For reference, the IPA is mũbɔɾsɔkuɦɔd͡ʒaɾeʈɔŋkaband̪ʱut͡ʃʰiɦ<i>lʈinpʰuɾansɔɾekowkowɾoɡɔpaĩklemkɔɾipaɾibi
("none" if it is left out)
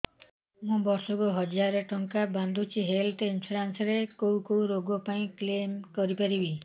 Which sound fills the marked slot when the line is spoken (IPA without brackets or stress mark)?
e